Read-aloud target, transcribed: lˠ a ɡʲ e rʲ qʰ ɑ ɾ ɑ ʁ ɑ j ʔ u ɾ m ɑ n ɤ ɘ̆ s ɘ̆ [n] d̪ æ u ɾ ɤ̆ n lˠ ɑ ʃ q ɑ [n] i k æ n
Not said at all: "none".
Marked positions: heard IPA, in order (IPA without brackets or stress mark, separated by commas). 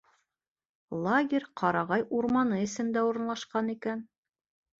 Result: m, n